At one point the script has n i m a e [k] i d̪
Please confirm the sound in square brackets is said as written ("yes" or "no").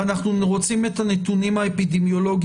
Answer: no